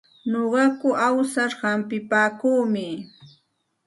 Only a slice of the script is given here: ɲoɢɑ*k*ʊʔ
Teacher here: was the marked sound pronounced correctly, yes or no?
yes